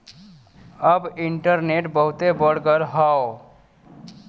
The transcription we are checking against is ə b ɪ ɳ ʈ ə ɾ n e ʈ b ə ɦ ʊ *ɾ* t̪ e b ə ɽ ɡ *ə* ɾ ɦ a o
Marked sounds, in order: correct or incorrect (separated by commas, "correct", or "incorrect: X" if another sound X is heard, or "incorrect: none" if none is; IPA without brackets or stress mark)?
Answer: incorrect: none, correct